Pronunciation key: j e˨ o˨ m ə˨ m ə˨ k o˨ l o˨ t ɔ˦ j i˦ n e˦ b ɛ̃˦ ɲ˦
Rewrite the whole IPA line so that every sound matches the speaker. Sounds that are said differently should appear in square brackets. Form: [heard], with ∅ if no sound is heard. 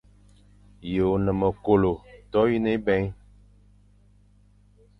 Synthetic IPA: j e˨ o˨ [n] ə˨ m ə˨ k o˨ l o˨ t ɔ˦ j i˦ n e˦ b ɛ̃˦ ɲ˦